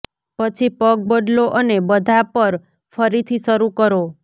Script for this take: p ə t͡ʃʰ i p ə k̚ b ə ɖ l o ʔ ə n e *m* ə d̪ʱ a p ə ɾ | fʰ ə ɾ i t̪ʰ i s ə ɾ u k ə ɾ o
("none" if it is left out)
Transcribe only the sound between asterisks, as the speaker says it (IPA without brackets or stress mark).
b